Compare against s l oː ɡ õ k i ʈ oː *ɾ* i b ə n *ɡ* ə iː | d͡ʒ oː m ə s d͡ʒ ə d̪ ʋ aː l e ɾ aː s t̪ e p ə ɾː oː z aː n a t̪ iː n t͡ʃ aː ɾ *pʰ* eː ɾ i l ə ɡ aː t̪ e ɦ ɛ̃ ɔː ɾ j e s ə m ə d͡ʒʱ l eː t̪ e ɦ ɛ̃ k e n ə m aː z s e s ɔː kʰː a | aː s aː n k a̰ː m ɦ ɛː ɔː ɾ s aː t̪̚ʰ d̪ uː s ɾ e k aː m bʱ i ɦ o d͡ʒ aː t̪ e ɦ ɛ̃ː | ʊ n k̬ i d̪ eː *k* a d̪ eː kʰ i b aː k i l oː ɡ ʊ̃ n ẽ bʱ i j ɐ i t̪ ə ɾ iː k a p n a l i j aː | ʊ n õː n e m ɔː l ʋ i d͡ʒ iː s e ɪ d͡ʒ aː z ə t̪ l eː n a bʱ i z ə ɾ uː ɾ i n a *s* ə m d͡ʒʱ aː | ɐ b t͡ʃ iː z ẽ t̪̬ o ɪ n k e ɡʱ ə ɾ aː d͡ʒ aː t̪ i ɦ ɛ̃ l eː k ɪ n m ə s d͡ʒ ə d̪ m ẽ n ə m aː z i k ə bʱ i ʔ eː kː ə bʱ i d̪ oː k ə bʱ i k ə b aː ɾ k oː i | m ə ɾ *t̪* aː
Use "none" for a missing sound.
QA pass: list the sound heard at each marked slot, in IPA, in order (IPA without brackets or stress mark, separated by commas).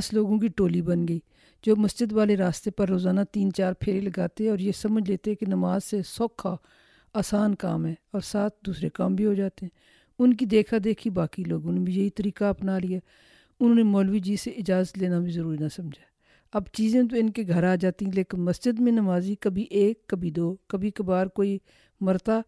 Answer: l, ɡ, pʰ, kʰ, s, t̪